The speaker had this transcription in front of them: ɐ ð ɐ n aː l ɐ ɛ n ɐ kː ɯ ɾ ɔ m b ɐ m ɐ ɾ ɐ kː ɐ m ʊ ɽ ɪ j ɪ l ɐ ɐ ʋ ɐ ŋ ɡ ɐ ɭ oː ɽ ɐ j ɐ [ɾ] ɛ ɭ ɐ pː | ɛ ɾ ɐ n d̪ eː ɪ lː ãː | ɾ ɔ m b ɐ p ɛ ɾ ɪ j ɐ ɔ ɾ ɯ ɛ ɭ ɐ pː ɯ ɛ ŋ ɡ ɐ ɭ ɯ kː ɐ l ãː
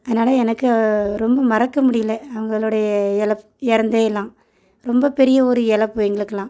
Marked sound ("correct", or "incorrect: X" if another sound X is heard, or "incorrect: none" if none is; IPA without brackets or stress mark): incorrect: none